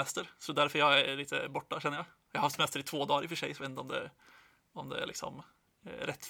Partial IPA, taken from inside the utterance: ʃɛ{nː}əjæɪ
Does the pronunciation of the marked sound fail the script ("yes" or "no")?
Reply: no